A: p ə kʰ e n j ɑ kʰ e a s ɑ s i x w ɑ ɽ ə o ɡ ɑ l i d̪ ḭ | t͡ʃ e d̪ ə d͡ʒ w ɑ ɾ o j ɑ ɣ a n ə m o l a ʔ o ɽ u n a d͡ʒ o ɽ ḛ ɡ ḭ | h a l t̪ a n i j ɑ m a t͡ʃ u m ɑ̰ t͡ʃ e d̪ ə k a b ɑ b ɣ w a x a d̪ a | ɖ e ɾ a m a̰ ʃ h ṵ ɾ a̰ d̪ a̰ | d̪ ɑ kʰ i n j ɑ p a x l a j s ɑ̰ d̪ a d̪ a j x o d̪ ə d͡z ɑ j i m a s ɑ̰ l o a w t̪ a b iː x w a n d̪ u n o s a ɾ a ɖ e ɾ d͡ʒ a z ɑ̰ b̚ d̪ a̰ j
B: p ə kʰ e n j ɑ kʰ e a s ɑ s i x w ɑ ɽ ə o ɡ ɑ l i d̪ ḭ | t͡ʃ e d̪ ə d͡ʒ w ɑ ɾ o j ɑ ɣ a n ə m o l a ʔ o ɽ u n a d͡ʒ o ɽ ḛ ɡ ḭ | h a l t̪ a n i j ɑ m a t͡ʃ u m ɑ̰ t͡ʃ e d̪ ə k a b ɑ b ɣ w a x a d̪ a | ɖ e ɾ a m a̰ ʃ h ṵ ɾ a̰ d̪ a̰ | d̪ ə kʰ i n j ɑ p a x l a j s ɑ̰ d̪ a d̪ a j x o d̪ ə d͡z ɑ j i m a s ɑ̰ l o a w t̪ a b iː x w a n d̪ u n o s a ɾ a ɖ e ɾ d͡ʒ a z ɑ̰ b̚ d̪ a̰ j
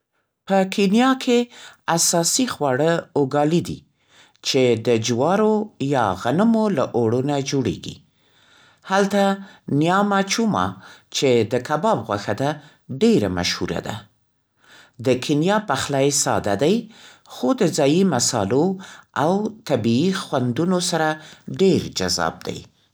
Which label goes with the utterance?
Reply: B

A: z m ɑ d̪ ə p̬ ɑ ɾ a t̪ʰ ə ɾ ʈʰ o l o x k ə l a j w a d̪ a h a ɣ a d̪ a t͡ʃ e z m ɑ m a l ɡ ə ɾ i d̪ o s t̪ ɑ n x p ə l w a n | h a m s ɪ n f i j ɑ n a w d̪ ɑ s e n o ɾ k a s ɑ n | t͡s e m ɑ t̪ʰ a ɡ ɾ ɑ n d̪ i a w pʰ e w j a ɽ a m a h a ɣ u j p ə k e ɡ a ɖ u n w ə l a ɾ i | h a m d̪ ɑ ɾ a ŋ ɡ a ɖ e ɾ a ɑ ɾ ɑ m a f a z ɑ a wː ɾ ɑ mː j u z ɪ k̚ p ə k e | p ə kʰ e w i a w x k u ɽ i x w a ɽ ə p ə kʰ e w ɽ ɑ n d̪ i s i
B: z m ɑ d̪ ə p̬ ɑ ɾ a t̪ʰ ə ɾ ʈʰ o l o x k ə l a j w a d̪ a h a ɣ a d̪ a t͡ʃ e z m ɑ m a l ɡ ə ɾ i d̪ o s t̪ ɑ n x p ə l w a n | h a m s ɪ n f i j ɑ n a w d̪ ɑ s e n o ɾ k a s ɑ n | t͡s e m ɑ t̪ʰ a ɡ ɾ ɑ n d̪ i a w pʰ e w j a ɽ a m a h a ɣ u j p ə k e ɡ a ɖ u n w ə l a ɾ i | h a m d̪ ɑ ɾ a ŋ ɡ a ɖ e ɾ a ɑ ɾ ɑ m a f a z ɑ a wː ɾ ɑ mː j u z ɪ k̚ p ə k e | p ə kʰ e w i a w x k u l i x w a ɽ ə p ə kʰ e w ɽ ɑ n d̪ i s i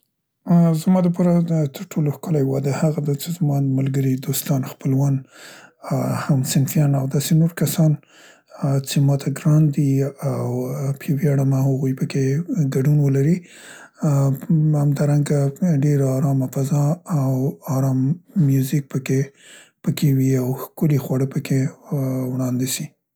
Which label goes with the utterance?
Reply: B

